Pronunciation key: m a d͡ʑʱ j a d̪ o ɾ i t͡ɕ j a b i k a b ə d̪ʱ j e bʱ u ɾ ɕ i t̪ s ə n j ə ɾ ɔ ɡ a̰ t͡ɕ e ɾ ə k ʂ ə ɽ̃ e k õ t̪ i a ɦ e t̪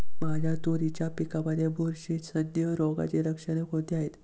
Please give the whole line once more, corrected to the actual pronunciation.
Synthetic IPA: m a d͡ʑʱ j a t̪ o ɾ i t͡ɕ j a p i k a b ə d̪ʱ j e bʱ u ɾ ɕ i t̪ s ə n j ə ɾ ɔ ɡ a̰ t͡ɕ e ɾ ə k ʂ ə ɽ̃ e k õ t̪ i a ɦ e t̪